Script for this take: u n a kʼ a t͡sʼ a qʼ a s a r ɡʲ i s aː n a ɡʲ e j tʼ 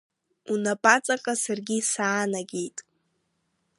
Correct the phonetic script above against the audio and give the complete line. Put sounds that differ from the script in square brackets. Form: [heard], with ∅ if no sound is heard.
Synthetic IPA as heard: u n a [pʼ] a t͡sʼ a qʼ a s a r ɡʲ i s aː n a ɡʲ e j tʼ